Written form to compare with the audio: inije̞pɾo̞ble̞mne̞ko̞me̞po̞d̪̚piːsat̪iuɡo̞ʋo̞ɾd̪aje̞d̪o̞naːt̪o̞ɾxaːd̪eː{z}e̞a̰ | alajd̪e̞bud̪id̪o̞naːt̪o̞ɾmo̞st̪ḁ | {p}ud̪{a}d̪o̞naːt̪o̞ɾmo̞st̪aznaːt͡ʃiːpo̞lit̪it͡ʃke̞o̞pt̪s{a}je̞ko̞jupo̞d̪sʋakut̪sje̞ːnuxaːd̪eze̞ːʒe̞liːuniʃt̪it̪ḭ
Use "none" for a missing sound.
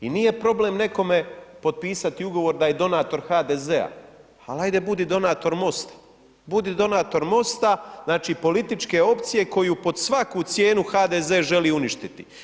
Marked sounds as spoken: z, b, i, i

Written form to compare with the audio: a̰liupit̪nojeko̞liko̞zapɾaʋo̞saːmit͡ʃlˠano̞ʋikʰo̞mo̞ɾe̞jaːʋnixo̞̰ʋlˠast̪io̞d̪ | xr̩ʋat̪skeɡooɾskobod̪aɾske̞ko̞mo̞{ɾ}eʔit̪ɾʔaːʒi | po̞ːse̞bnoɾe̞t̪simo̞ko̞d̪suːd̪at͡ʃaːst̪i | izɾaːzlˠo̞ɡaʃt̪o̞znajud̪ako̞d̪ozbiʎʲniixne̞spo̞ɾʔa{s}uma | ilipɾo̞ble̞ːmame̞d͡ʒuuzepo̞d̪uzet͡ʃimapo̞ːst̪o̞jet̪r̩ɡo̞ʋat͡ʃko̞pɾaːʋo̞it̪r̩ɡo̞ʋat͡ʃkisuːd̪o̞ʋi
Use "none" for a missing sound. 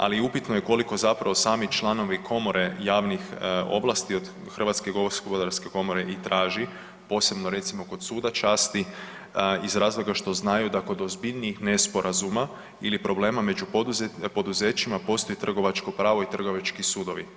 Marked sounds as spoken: ɾ, z

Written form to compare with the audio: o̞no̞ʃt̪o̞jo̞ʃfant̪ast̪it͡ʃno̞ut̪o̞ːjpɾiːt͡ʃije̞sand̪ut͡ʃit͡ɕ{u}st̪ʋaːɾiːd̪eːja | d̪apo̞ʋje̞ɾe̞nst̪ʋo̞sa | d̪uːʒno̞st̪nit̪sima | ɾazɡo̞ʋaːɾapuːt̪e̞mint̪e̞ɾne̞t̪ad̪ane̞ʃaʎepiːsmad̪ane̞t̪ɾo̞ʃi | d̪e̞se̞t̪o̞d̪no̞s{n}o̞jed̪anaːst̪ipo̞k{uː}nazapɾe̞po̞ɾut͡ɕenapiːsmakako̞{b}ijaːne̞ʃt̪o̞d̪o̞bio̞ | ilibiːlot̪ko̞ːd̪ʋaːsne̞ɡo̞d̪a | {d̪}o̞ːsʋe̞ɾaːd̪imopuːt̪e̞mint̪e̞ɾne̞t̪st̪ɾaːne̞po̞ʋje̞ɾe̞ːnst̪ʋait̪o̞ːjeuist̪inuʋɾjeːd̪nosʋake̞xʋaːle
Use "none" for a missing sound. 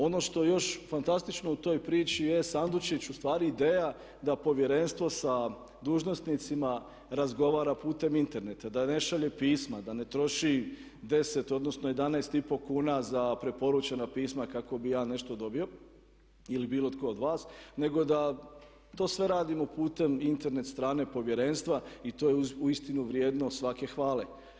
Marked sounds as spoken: u, n, uː, b, t̪

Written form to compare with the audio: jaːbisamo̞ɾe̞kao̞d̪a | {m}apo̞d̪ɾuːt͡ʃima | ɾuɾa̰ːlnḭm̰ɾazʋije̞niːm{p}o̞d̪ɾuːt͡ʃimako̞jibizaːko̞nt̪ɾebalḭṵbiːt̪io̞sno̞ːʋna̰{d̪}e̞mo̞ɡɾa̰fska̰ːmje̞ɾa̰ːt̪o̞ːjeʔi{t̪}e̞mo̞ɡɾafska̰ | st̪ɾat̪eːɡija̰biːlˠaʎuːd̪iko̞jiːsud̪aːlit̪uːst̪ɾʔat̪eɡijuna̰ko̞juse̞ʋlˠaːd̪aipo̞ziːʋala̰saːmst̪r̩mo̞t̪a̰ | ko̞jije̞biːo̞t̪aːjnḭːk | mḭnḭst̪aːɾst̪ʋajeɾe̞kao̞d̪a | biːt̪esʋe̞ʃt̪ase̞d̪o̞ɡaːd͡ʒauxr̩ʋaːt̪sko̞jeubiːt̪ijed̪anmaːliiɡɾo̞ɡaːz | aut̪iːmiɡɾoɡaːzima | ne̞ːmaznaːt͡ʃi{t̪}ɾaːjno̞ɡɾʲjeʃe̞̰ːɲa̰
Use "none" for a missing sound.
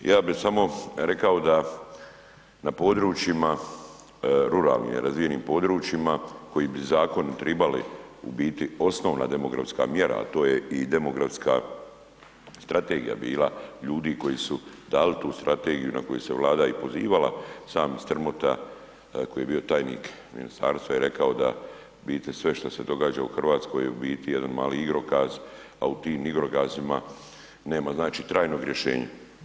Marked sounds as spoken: n, p, d̪, d̪, t̪

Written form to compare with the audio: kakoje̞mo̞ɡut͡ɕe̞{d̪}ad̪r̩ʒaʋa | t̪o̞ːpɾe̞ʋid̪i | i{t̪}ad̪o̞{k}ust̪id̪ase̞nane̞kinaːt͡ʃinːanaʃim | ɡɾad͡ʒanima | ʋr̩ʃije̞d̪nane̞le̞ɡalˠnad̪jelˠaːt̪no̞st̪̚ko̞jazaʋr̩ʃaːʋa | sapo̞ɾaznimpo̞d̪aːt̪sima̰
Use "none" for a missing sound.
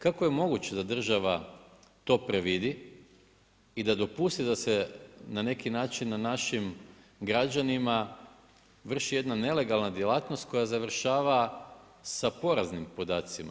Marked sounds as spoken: d̪, d̪, p

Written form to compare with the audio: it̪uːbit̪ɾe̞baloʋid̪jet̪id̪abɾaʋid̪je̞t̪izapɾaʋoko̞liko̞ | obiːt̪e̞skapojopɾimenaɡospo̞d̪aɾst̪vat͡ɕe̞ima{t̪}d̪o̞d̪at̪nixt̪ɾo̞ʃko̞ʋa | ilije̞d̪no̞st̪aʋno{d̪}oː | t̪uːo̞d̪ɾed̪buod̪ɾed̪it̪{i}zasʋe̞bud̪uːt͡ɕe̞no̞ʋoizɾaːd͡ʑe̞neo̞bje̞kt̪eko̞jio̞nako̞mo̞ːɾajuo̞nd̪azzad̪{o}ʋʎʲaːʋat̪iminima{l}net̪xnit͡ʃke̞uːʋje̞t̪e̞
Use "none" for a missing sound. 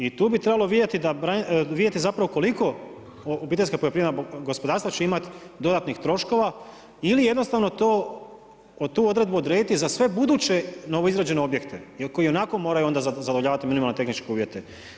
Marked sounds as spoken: t̪, t̪, i, o, l

